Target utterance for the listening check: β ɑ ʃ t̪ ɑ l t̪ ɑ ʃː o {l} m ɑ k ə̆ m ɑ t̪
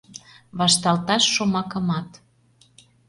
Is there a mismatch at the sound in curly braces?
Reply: yes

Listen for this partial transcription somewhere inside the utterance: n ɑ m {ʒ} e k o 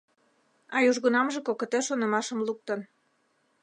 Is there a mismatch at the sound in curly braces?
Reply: no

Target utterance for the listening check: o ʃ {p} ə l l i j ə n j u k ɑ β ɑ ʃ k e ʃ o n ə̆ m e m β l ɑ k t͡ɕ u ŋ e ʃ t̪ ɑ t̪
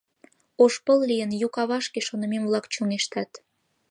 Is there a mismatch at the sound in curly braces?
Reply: no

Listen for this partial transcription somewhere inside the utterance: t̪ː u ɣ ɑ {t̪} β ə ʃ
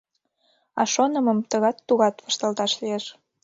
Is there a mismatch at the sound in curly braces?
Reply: no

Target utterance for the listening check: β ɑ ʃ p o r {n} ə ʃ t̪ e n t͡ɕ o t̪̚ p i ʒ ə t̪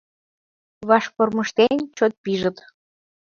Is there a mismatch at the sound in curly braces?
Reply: yes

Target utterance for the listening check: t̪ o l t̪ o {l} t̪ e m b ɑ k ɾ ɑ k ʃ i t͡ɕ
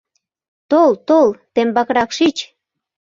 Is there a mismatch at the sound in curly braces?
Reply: no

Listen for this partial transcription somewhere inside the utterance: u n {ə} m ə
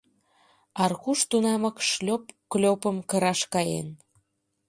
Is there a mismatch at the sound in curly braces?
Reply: yes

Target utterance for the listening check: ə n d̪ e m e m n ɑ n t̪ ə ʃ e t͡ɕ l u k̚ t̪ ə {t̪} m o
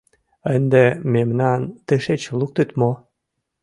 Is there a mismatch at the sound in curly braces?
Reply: no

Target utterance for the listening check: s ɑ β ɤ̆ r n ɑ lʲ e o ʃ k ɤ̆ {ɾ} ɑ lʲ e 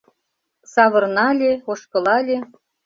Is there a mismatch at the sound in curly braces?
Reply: yes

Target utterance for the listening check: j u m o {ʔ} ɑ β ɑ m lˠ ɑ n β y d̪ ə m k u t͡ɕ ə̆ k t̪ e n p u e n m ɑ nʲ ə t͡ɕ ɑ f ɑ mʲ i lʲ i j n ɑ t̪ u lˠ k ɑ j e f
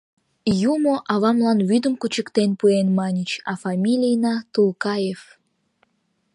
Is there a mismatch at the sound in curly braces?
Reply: no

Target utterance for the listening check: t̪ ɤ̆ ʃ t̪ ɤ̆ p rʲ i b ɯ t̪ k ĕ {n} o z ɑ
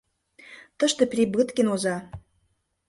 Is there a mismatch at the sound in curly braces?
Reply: no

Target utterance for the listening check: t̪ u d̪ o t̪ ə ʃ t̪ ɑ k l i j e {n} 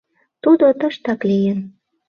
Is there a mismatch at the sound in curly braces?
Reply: no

